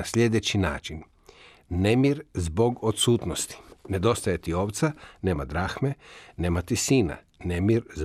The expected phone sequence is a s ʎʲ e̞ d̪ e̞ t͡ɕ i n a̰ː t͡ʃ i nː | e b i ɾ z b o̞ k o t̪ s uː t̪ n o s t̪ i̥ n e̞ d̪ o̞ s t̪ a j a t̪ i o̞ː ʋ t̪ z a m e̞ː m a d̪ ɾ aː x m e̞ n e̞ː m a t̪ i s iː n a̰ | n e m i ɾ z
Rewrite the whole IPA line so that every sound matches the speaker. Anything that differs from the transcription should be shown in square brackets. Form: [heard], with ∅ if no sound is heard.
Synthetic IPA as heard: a s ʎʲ e̞ d̪ e̞ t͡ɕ i n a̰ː t͡ʃ i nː | e [m] i ɾ z b o̞ [ɡ] o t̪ s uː t̪ n o s t̪ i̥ n e̞ d̪ o̞ s t̪ a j [e] t̪ i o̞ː ʋ t̪ [s] a [n] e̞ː m a d̪ ɾ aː x m e̞ n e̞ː m a t̪ i s iː n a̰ | n e m i ɾ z